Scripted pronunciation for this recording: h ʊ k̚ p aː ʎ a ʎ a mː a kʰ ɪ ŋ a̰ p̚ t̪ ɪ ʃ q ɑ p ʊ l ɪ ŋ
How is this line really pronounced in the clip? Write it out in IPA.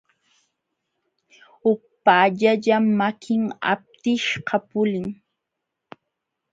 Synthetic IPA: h ʊ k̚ p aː ʎ a ʎ a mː a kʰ ɪ ŋ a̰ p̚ t̪ ɪ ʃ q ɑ p ʊ l ɪ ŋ

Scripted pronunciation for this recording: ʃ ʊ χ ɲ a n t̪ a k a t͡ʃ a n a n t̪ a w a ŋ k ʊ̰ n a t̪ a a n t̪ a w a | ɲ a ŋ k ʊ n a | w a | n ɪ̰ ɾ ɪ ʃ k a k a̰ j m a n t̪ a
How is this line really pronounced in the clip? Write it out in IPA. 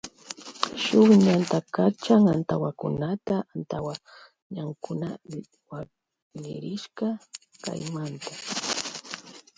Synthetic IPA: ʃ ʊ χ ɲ a n t̪ a k a t͡ʃ a ŋ a n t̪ a w a k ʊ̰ n a t̪ a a n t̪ a w a | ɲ a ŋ k ʊ n a | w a | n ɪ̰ ɾ ɪ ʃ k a k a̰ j m a n t̪ a

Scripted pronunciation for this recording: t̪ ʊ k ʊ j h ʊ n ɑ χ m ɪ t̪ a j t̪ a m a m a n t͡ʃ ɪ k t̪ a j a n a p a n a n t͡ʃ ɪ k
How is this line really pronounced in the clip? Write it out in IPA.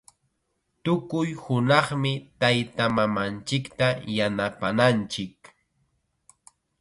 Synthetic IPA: t̪ ʊ k ʊ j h ʊ n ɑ χ m ɪ t̪ a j t̪ a m a m a n t͡ʃ ɪ k t̪ a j a n a p a n a n t͡ʃ ɪ k

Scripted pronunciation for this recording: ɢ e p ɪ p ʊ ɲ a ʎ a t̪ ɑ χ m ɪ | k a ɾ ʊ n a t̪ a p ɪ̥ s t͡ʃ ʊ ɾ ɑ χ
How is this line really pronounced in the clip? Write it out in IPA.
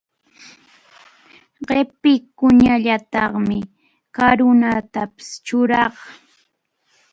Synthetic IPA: ɢ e p ɪ k ʊ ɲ a ʎ a t̪ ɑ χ m ɪ | k a ɾ ʊ n a t̪ a p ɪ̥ s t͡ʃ ʊ ɾ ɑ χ

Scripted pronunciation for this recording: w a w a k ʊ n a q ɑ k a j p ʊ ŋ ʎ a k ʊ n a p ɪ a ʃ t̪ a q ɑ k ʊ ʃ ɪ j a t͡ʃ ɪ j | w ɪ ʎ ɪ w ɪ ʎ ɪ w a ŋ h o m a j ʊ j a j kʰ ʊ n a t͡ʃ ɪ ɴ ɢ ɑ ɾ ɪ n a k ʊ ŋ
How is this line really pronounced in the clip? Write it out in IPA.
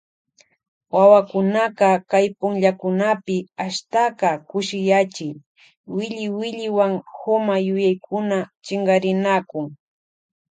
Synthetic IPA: w a w a k ʊ n a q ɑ k a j p ʊ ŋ ʎ a k ʊ n a p ɪ a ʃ t̪ a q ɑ k ʊ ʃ ɪ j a t͡ʃ ɪ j | w ɪ ʎ ɪ w ɪ ʎ ɪ w a ŋ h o m a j ʊ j a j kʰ ʊ n a t͡ʃ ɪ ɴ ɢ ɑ ɾ ɪ n a k ʊ ŋ

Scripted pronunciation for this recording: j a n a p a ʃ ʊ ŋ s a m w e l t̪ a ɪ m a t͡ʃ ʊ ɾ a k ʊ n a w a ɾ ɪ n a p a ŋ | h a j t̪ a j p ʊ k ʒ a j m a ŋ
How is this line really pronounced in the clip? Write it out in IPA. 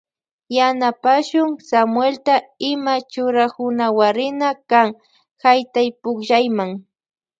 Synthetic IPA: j a n a p a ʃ ʊ ŋ s a m w e l t̪ a ɪ m a t͡ʃ ʊ ɾ a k ʊ n a w a ɾ ɪ n a k a ŋ | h a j t̪ a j p ʊ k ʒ a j m a ŋ

